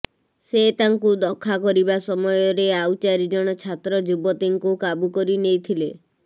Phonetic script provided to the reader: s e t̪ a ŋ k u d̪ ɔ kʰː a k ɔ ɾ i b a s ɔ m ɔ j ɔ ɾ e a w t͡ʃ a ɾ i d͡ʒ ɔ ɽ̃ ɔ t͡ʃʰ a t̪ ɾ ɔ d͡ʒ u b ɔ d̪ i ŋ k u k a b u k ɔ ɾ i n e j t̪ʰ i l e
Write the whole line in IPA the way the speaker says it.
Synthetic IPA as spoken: s e t̪ a ŋ k u d̪ ɔ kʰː a k ɔ ɾ i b a s ɔ m ɔ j ɔ ɾ e a w t͡ʃ a ɾ i d͡ʒ ɔ ɽ̃ ɔ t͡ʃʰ a t̪ ɾ ɔ d͡ʒ u b ɔ t̪ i ŋ k u k a b u k ɔ ɾ i n e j t̪ʰ i l e